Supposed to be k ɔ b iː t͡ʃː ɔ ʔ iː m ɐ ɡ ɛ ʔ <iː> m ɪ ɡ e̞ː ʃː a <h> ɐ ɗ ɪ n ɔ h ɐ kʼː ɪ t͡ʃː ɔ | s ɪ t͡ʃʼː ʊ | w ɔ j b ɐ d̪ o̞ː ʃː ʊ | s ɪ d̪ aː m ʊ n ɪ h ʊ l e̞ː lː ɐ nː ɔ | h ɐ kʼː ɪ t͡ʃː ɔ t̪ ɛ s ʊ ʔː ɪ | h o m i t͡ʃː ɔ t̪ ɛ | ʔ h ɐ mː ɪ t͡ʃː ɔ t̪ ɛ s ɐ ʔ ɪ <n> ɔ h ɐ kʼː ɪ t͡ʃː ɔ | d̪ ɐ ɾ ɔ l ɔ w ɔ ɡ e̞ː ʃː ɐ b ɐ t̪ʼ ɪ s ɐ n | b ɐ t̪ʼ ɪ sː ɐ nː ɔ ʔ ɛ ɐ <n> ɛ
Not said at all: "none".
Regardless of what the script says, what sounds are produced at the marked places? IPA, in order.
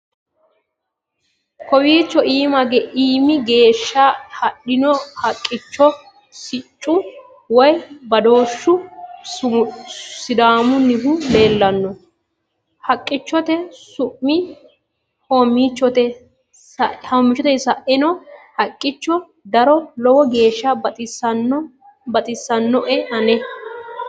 iː, h, n, n

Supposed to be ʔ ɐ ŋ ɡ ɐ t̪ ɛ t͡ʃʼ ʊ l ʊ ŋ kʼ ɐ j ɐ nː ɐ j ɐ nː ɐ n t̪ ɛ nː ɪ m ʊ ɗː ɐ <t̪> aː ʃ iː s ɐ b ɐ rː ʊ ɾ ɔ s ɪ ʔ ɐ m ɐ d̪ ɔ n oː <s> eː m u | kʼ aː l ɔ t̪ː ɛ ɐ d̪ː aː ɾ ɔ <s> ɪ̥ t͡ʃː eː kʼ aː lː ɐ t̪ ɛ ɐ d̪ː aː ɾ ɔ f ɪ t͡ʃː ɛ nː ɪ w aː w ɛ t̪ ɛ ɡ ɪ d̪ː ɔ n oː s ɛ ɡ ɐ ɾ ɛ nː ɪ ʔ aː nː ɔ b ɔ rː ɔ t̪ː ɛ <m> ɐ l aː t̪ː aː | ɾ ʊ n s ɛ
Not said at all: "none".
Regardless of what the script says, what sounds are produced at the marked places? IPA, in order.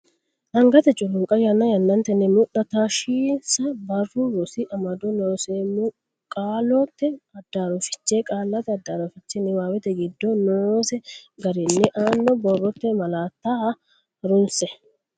t̪, s, f, m

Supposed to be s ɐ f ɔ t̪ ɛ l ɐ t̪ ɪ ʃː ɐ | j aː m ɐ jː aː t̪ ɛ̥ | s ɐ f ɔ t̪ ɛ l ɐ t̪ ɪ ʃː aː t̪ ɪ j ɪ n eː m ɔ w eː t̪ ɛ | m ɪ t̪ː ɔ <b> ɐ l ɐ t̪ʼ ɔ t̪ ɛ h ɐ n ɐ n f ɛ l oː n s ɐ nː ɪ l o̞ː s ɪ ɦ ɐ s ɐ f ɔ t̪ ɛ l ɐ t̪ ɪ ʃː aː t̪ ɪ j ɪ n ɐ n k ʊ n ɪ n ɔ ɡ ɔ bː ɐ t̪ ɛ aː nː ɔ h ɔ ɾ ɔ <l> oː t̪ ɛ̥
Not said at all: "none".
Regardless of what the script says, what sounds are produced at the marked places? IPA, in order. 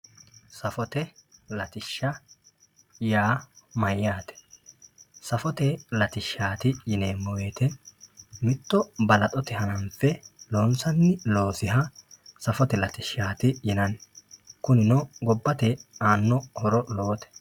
b, l

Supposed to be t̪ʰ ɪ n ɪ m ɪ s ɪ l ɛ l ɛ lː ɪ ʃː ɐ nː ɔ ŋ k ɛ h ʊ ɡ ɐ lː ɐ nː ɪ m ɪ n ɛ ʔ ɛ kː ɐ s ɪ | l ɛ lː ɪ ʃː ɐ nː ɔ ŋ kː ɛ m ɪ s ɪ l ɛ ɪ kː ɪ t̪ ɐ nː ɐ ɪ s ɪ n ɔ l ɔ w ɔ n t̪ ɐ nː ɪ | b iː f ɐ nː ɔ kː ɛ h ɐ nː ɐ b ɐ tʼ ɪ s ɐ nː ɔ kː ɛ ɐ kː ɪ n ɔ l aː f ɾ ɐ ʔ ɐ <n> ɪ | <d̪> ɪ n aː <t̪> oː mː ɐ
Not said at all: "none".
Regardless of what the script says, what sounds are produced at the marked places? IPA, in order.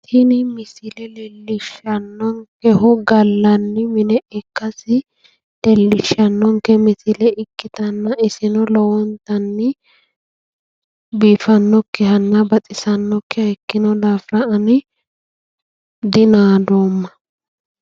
n, d̪, d̪

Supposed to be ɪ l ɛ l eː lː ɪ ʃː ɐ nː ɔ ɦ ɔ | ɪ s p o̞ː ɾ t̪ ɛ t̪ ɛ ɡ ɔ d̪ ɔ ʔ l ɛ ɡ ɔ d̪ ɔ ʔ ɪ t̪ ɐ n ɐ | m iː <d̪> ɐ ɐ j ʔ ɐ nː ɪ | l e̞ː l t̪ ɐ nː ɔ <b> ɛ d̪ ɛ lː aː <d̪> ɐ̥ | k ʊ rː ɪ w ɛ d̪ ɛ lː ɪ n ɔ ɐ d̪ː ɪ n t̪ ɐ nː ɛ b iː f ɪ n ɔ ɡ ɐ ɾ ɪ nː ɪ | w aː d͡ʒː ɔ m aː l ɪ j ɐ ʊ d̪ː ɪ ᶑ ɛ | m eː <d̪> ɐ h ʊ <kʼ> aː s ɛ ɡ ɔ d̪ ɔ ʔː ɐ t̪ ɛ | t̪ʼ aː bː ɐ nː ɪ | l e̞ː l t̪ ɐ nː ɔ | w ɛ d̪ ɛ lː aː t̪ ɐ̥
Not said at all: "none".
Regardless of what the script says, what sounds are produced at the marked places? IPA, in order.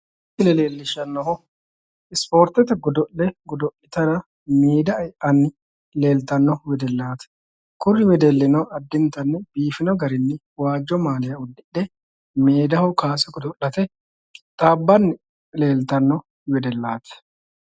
d̪, w, t̪, d̪, k

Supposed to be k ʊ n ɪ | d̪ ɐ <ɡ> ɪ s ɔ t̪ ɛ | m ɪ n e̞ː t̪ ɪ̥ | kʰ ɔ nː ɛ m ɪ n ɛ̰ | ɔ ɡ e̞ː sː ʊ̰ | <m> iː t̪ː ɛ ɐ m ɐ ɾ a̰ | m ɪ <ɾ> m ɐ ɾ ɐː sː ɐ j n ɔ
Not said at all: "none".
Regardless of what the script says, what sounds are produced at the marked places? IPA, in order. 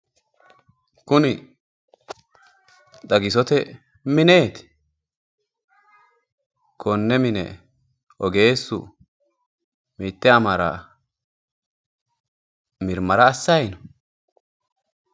ɡ, m, ɾ

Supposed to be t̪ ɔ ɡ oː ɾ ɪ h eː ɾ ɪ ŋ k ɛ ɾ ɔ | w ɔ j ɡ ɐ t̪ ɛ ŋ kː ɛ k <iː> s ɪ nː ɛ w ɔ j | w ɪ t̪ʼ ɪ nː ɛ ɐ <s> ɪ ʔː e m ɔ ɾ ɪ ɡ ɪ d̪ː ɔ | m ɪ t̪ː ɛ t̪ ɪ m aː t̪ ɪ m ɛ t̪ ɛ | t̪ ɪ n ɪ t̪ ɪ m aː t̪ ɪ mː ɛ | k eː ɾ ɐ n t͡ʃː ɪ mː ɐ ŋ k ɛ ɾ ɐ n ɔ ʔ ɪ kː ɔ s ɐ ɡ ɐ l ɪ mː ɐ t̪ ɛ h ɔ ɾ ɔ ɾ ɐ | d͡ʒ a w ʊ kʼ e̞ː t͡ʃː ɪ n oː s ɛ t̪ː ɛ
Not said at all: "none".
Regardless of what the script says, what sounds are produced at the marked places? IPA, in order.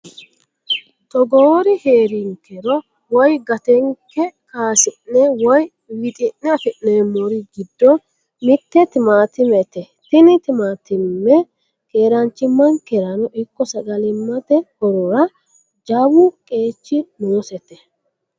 aː, f

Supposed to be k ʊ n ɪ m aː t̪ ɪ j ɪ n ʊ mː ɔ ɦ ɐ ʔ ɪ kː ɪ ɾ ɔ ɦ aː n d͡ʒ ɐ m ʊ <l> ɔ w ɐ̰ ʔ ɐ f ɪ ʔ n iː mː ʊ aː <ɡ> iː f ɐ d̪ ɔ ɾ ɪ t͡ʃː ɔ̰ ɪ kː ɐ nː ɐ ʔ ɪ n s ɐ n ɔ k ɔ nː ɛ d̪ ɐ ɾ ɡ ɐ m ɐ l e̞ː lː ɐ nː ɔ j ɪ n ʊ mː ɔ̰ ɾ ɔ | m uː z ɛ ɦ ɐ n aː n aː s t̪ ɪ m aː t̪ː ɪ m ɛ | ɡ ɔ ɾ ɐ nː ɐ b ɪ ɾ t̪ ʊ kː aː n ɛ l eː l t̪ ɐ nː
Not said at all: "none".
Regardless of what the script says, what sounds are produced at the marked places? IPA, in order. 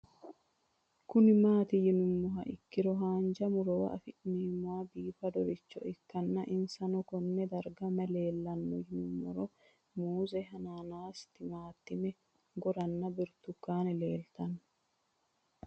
ɾ, b

